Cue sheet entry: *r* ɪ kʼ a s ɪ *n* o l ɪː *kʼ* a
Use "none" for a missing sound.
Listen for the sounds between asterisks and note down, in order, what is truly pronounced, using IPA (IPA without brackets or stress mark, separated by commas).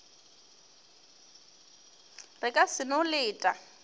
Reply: r, n, tʼ